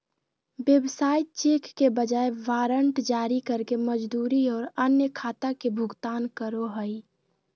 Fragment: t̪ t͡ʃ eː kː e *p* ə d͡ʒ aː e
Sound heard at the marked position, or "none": b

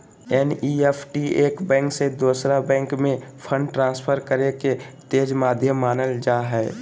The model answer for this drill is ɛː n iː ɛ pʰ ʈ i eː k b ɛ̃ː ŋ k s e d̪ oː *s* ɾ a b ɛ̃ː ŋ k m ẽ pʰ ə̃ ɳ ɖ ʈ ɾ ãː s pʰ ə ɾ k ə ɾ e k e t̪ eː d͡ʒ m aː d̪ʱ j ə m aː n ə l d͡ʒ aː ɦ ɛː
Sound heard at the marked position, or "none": s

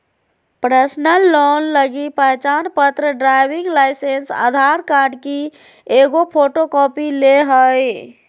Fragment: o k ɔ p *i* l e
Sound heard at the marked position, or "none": i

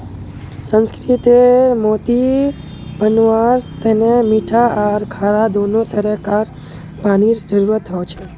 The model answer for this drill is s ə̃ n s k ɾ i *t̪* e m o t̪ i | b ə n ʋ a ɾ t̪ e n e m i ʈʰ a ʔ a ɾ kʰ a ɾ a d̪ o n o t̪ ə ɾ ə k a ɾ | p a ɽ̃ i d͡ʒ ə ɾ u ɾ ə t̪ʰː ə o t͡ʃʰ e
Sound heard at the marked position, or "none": t̪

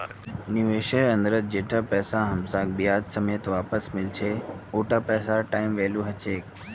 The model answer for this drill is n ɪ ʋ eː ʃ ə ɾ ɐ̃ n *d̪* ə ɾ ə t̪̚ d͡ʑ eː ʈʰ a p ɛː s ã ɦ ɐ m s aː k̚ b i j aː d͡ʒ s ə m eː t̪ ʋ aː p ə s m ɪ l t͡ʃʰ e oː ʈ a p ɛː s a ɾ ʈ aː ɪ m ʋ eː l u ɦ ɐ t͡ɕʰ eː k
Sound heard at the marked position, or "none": d̪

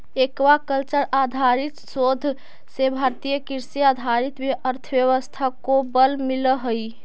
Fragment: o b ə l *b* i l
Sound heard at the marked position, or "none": m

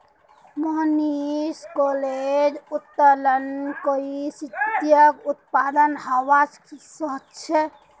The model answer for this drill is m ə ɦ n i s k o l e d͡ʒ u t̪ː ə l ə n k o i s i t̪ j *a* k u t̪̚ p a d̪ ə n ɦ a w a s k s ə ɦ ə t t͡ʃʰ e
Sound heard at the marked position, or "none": ə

